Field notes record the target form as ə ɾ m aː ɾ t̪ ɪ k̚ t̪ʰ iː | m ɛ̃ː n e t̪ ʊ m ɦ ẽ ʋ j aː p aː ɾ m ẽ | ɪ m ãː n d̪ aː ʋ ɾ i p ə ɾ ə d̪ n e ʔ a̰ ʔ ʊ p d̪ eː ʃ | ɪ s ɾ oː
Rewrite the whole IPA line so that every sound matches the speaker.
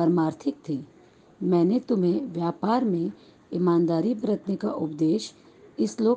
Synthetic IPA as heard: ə ɾ m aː ɾ t̪ʰ ɪ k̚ t̪ʰ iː | m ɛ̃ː n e t̪ ʊ m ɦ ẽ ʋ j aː p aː ɾ m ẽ | ɪ m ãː n d̪ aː ɾ i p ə ɾ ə t̪ n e k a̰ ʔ ʊ p d̪ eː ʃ | ɪ s l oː